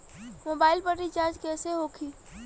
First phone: m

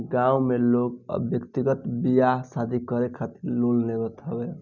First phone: ɡ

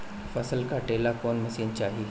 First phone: f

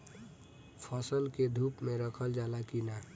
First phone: pʰ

